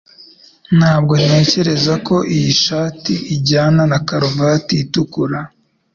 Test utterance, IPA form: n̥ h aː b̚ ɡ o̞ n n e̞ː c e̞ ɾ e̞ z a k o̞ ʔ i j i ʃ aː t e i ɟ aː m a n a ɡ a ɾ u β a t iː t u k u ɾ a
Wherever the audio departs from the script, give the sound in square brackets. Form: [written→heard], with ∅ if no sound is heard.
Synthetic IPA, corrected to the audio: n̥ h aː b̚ ɡ o̞ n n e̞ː c e̞ ɾ e̞ z a k o̞ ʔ i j i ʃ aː t [e→i] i ɟ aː [m→n] a n a [ɡ→k] a ɾ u [β→v] a t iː t u k u ɾ a

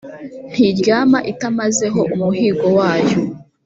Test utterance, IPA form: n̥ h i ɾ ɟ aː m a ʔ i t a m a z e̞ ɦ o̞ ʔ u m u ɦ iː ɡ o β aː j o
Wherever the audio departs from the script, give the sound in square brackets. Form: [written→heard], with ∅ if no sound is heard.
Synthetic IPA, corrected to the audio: n̥ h i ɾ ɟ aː m a ʔ i t a m a z e̞ ɦ o̞ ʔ u m u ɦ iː ɡ o [β→w] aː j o

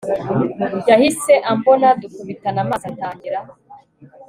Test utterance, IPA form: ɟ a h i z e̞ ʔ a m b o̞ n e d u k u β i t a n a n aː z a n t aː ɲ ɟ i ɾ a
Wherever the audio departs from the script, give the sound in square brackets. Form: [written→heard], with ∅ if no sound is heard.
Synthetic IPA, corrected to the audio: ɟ a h i [z→s] e̞ ʔ a m b o̞ n [e→a] d u k u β i t a n a [n→m] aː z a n t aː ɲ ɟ i ɾ a

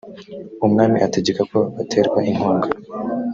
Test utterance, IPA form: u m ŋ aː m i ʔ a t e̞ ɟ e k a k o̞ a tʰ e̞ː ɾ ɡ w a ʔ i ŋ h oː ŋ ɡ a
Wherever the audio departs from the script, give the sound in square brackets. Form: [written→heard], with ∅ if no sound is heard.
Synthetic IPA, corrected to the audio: u m ŋ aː m i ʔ a t e̞ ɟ e k a k o̞ a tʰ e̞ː ɾ ɡ w a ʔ i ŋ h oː ŋ ɡ a

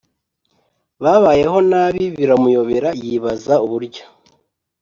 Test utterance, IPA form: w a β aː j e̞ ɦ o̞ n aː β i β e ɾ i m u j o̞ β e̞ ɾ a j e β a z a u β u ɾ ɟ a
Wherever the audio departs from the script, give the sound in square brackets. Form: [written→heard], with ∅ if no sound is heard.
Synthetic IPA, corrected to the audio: [w→β] a β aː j e̞ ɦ o̞ n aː β i β [e→i] ɾ [i→a] m u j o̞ β e̞ ɾ a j [e→i] β a z a u β u ɾ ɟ a

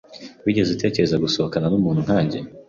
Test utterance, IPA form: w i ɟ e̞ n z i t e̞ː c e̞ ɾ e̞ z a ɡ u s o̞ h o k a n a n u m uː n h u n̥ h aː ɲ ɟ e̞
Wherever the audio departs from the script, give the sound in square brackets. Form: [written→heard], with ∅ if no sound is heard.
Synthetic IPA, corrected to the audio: w i ɟ e̞ [n→∅] z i t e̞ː c e̞ ɾ e̞ z a ɡ u s o̞ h o k a n a n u m uː n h u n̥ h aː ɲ ɟ e̞

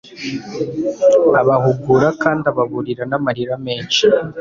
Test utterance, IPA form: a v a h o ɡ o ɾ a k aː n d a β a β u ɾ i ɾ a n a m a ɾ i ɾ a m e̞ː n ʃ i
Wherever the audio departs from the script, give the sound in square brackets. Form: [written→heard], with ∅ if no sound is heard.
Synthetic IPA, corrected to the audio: a [v→β] a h [o→u] ɡ [o→u] ɾ a k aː n d a β a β u ɾ i ɾ a n a m a ɾ i ɾ a m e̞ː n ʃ i

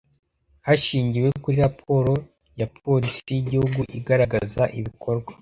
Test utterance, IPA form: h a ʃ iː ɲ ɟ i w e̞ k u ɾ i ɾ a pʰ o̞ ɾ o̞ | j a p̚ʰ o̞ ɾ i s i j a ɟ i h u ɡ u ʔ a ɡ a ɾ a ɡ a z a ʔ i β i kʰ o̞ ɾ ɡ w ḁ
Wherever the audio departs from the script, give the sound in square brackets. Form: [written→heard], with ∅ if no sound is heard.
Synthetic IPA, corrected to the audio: h a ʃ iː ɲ ɟ i w e̞ k u ɾ i ɾ a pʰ o̞ ɾ o̞ | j a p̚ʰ o̞ ɾ i s i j [a→i] ɟ i h u ɡ u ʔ [a→i] ɡ a ɾ a ɡ a z a ʔ i β i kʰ o̞ ɾ ɡ w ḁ

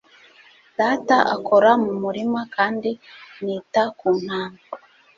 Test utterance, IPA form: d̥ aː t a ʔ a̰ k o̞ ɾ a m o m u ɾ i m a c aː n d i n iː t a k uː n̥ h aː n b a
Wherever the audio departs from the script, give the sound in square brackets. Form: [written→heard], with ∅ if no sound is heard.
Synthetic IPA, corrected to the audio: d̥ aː t a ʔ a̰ k o̞ ɾ a m [o→u] m u ɾ i m a [c→k] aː n d i n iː t a k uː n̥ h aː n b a

